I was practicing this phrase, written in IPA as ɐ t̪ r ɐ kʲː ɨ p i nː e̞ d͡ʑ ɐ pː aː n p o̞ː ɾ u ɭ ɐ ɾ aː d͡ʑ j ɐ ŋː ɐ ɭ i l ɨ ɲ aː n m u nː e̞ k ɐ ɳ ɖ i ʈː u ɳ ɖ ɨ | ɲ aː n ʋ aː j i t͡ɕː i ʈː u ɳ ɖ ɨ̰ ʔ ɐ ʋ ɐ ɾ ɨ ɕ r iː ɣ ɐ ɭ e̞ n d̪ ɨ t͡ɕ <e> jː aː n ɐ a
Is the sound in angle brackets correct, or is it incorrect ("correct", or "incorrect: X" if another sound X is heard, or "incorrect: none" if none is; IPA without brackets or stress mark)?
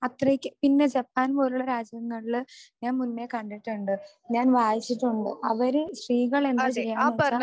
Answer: correct